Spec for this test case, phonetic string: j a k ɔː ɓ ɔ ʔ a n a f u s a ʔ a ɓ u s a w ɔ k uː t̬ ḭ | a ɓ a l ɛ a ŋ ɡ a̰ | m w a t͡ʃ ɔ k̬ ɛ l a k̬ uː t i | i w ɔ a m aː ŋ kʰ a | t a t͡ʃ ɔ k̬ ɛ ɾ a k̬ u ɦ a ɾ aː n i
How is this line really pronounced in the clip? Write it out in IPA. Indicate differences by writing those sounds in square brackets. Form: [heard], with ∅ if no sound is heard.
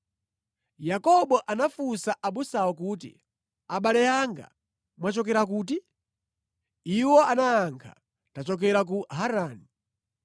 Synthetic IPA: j a k [ɔ] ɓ ɔ ʔ a n a f u s a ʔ a ɓ u s a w ɔ k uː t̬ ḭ | a ɓ a l ɛ a ŋ ɡ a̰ | m w a t͡ʃ ɔ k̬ ɛ [ɾ] a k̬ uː t i | i w ɔ a [n] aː ŋ kʰ a | t a t͡ʃ ɔ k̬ ɛ ɾ a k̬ u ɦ a ɾ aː n i